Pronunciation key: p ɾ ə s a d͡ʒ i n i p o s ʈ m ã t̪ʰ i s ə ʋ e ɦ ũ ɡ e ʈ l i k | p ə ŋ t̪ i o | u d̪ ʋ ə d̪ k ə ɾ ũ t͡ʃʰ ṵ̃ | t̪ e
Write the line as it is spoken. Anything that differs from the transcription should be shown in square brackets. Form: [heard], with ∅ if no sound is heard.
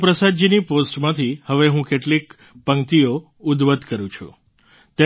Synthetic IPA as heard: p ɾ ə s a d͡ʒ i n i p o s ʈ m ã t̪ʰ i [h] ə ʋ e ɦ ũ [k] e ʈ l i k | p ə ŋ t̪ i o | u d̪ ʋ ə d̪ k ə ɾ ũ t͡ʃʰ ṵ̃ | t̪ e